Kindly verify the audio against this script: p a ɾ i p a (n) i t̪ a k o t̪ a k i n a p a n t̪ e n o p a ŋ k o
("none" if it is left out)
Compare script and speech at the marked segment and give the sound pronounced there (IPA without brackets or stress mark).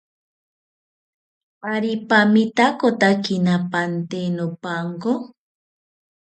m